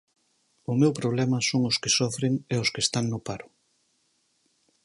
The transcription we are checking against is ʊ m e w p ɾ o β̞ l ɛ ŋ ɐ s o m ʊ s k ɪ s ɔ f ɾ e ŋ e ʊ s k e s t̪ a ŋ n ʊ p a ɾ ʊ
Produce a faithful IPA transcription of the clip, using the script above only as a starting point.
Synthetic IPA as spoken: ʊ m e w p ɾ o β̞ l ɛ m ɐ s o ŋ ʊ s k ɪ s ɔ f ɾ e ŋ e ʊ s k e s t̪ a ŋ n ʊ p a ɾ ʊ

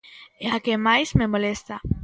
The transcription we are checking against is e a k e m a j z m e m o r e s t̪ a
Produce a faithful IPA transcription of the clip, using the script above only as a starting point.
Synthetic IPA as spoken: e a k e m a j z m e m o l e s t̪ a

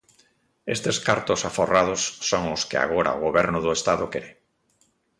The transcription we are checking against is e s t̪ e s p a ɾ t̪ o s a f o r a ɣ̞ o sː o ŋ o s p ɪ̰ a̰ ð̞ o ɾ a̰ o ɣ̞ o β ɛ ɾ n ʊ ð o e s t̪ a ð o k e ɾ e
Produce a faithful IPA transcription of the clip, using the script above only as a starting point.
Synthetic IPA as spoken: e s t̪ e s k a ɾ t̪ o s a f o r a ð̞ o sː o ŋ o s k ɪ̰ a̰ ɣ̞ o ɾ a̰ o ɣ̞ o β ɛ ɾ n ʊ ð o e s t̪ a ð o k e ɾ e

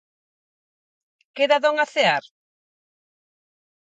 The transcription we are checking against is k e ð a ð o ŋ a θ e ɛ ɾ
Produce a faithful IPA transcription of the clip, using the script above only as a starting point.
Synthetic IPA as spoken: k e ð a ð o ŋ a θ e a ɾ

